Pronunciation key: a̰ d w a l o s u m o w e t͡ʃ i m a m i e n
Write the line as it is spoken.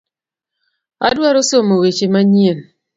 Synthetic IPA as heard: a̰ d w a ɾ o s o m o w e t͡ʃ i m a ɲ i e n